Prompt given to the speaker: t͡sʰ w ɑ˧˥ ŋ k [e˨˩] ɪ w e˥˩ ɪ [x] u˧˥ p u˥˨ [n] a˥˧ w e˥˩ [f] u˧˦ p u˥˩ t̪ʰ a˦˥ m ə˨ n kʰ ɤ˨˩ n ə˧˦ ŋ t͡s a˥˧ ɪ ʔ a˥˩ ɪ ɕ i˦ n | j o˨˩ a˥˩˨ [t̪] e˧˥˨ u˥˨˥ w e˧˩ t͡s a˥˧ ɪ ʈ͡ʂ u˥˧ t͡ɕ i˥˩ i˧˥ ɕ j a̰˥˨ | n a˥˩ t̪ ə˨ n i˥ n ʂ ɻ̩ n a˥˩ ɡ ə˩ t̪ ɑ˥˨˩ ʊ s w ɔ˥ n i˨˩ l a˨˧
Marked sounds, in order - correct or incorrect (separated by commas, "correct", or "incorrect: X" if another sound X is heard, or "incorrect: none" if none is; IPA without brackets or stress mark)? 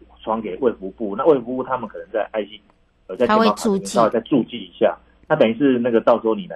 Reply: correct, incorrect: f, correct, correct, incorrect: none